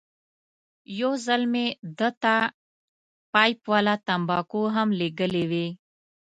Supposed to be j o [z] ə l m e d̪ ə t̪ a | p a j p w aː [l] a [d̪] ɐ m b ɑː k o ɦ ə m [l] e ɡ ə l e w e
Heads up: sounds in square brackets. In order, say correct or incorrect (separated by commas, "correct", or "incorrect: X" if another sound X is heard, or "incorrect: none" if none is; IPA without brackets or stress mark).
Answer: correct, correct, incorrect: t̪, correct